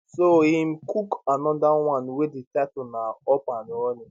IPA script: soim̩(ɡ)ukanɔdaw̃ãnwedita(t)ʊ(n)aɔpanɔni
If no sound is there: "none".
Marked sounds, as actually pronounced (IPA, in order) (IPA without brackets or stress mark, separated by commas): k, t, n